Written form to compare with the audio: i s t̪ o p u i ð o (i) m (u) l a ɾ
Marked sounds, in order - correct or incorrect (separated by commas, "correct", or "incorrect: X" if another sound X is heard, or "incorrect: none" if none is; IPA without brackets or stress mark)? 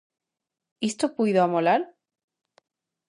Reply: incorrect: a, incorrect: o